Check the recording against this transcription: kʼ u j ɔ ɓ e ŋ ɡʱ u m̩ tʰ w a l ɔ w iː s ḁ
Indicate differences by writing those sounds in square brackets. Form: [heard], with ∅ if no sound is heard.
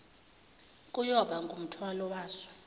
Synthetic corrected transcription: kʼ u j ɔ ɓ [a] ŋ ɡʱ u m̩ tʰ w a l ɔ w [aː] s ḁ